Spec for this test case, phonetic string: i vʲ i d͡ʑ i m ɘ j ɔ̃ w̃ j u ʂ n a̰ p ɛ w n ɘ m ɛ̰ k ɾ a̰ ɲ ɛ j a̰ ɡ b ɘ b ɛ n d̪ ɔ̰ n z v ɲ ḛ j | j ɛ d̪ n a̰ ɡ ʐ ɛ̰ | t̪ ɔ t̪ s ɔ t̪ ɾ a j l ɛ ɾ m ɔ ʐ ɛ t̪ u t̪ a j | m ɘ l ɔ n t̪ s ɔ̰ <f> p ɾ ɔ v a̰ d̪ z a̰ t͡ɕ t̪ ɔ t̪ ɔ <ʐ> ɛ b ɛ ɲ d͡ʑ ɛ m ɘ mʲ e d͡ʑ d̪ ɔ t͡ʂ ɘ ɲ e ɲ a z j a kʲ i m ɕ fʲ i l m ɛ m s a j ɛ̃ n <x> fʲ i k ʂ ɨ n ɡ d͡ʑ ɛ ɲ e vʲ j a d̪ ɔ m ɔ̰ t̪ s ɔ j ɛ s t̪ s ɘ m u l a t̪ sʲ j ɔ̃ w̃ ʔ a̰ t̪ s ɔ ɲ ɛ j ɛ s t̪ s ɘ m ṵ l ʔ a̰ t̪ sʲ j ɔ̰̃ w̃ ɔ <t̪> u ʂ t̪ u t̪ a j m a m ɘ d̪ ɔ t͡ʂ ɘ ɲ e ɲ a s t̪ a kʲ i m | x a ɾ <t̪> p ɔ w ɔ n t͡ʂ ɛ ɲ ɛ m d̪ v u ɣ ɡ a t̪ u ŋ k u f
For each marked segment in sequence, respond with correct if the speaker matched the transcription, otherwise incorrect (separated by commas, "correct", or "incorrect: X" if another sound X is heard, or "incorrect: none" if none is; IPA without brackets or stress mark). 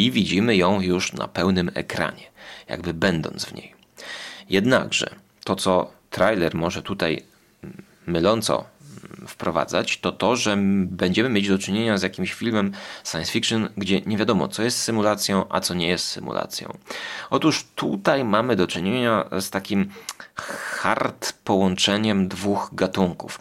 correct, correct, incorrect: s, correct, correct